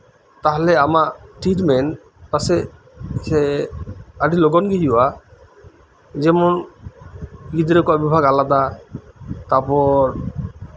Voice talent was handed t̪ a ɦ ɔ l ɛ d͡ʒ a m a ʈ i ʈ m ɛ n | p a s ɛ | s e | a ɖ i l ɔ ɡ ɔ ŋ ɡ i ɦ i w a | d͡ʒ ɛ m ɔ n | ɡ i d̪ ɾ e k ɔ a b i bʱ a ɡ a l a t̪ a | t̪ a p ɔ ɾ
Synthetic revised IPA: t̪ a ɦ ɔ l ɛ a m a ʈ i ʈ m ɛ n | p a s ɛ | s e | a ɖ i l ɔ ɡ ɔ n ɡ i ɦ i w a | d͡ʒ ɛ m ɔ n | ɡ i d̪ ɾ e k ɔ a b i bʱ a ɡ a l a d̪ a | t̪ a p ɔ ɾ